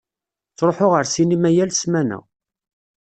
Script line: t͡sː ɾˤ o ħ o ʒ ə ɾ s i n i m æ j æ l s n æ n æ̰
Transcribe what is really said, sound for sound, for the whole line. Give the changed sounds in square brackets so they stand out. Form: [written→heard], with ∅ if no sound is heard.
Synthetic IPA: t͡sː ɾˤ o ħ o [ʒ→ʁ] ə ɾ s i n i m æ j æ l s [n→m] æ n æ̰